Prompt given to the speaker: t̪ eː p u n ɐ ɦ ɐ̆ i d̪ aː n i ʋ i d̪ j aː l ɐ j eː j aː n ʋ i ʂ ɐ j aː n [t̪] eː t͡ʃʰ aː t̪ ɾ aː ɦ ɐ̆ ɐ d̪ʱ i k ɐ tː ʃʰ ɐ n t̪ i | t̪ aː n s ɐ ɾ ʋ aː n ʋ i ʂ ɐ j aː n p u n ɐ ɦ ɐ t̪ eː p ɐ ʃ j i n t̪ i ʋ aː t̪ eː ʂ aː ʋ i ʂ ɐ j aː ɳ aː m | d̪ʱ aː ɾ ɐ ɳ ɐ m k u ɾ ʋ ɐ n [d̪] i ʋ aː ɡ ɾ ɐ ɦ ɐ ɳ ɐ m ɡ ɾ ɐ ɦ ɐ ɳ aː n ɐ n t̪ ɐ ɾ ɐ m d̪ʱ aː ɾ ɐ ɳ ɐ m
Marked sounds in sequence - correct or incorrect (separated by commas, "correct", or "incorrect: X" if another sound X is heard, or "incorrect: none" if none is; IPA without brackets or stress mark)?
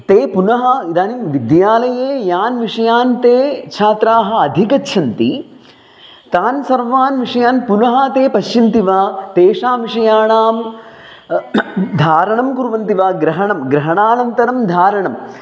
correct, incorrect: t̪